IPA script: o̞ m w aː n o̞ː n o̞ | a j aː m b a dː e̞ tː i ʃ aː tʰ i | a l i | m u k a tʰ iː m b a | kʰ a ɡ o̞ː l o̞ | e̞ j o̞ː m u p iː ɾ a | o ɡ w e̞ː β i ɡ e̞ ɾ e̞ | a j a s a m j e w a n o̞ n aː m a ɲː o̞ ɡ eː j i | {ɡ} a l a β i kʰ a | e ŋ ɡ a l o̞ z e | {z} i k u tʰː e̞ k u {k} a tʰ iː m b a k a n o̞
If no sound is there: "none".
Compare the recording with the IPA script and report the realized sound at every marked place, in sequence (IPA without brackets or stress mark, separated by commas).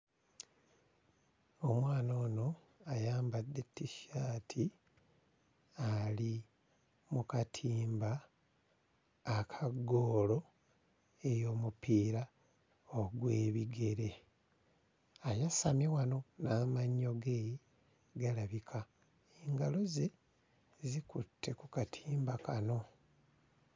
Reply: ɡ, z, k